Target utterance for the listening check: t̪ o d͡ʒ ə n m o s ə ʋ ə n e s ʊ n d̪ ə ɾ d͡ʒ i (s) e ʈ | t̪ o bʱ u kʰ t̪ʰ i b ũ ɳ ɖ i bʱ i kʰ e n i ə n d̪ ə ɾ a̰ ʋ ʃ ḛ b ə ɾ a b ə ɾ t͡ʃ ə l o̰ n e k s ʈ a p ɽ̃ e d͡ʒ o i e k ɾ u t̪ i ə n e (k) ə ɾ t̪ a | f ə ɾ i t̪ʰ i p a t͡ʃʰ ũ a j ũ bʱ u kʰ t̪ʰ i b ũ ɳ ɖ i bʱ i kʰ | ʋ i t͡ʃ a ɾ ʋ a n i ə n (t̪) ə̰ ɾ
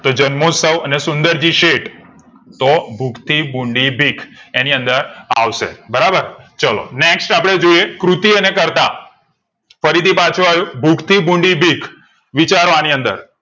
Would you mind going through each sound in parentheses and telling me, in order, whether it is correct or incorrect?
incorrect: ʃ, correct, incorrect: d̪

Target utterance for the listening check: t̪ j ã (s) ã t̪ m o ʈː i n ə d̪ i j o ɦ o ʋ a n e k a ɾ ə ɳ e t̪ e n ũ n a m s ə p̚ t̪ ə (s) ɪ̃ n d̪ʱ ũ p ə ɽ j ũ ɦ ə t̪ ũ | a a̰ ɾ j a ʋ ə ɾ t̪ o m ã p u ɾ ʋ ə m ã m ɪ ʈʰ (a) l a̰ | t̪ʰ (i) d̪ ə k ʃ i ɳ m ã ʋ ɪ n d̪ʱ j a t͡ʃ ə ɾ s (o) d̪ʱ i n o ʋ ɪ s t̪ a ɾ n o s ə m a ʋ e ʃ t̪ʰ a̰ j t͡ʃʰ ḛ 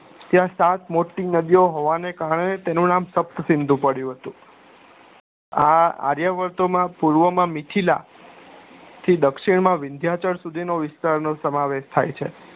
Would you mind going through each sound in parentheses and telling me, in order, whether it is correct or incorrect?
correct, correct, incorrect: i, correct, incorrect: u

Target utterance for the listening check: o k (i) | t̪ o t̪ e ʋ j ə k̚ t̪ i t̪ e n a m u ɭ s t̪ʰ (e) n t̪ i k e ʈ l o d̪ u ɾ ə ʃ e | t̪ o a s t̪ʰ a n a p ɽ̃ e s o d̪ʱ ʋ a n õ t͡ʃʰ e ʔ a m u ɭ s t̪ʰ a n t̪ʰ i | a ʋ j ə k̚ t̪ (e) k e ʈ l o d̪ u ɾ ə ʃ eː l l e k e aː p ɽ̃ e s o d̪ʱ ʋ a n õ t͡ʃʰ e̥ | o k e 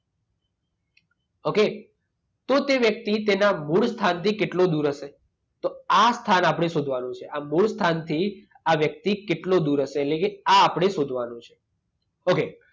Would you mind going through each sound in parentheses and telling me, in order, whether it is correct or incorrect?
incorrect: e, incorrect: a, incorrect: i

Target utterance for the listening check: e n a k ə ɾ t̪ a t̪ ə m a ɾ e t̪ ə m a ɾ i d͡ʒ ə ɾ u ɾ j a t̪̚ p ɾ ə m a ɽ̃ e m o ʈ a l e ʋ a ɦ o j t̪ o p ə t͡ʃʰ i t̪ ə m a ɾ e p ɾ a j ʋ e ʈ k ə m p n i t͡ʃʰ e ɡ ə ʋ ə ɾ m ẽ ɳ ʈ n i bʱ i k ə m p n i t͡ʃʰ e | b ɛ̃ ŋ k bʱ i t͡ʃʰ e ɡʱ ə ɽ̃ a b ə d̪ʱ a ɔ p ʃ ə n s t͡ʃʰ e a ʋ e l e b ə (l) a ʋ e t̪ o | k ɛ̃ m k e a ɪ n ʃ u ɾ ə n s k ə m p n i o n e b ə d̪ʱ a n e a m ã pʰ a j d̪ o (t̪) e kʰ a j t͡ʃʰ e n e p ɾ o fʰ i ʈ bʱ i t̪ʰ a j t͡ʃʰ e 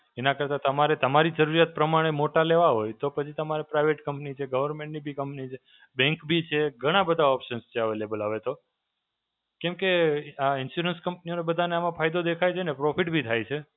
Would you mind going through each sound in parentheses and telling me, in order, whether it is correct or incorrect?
correct, incorrect: d̪

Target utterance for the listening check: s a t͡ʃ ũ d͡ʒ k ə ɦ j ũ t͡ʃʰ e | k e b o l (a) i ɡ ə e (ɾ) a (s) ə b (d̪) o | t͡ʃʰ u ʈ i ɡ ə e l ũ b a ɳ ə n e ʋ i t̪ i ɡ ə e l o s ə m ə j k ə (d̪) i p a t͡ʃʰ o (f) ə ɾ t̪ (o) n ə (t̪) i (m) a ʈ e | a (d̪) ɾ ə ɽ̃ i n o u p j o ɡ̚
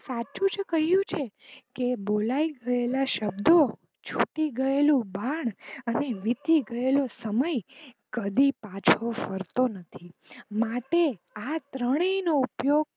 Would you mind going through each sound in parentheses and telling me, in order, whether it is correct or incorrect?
correct, incorrect: l, incorrect: ʃ, correct, correct, correct, correct, incorrect: t̪ʰ, correct, incorrect: t̪

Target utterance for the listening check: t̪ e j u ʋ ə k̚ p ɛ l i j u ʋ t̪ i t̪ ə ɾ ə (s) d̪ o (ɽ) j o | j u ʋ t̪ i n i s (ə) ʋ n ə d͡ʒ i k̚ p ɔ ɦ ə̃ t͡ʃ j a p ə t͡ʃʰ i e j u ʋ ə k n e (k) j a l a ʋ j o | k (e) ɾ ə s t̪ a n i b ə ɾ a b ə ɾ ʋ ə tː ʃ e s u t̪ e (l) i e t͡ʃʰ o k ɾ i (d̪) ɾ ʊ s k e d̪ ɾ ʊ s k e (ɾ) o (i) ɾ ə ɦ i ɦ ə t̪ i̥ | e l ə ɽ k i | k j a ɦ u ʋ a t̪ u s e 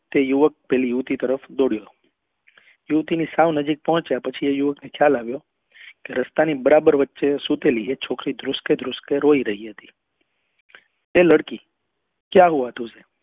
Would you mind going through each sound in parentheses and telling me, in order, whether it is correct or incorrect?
incorrect: f, correct, incorrect: a, incorrect: kʰ, correct, correct, correct, correct, correct

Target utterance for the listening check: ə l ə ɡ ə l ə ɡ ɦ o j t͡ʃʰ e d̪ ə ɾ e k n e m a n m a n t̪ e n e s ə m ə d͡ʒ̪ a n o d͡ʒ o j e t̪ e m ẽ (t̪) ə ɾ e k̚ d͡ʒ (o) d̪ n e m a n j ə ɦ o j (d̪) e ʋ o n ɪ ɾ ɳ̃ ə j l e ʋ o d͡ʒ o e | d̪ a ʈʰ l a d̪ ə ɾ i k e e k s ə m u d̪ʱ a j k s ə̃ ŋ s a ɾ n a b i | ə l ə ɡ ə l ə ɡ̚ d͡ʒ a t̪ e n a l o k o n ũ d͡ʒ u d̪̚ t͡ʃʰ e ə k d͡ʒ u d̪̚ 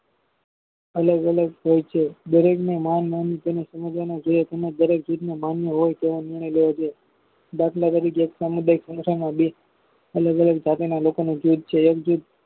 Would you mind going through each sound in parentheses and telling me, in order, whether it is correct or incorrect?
incorrect: d̪, incorrect: u, incorrect: t̪

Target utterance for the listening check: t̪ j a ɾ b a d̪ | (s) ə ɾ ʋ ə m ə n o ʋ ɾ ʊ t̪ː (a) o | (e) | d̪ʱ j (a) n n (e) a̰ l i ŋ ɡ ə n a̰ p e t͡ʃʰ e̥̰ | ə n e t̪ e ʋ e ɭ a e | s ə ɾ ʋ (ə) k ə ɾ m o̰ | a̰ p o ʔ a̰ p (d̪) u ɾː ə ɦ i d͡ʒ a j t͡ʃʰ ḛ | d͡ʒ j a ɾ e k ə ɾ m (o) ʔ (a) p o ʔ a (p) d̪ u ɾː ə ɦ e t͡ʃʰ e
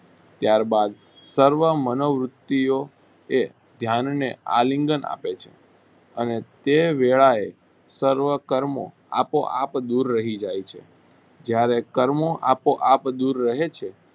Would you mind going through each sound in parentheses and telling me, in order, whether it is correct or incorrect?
correct, incorrect: i, correct, correct, correct, correct, correct, correct, correct, correct

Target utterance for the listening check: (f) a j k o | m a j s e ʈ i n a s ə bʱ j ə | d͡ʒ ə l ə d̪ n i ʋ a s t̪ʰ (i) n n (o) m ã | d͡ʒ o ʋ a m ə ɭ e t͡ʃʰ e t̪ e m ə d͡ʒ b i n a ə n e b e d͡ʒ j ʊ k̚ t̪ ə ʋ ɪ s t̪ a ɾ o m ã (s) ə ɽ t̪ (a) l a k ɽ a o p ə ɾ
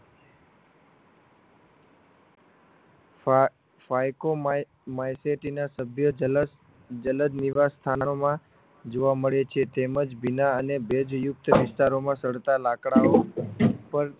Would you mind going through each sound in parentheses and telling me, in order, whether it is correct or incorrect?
correct, incorrect: a, correct, correct, correct

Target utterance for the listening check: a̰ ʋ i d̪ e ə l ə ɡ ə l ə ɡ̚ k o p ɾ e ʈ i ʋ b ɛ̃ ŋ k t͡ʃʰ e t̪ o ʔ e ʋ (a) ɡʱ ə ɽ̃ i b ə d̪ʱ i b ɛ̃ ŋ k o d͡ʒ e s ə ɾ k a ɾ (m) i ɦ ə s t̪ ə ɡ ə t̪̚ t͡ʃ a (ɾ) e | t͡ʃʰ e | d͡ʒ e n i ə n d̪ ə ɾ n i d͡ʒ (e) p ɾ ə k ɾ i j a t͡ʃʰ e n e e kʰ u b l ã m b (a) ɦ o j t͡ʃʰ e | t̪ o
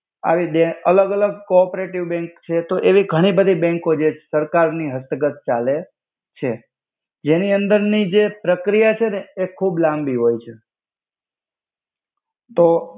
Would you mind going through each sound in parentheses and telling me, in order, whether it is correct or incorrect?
incorrect: i, incorrect: n, incorrect: l, correct, incorrect: i

